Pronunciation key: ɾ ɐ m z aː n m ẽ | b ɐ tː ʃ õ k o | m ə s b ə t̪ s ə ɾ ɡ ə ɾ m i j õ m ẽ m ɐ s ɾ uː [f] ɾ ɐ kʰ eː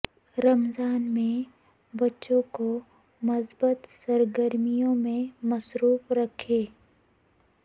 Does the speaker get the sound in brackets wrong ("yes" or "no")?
no